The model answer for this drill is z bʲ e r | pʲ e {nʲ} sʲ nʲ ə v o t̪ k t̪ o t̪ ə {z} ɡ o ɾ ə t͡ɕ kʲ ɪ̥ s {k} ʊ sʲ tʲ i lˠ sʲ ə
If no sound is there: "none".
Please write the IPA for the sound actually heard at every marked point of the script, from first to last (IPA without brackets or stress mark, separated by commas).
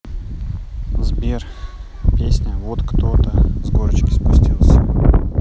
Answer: none, z, p